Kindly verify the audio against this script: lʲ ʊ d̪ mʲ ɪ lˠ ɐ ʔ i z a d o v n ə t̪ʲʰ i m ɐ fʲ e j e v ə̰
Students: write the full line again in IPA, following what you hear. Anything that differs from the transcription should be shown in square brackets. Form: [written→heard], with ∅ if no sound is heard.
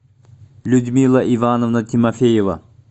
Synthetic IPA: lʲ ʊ d̪ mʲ [ɪ→i] lˠ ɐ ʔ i [z→v] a [d→n] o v n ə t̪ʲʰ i m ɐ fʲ e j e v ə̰